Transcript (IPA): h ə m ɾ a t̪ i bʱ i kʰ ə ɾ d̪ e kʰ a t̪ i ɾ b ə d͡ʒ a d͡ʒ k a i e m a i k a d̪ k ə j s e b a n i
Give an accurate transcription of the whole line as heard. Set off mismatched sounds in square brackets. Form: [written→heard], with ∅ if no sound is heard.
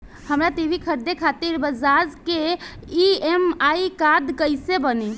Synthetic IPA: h ə m ɾ a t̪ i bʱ i kʰ ə ɾ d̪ e kʰ a t̪ i ɾ b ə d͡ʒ a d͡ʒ k [a→e] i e m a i k a d̪ k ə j s e b [a→ə] n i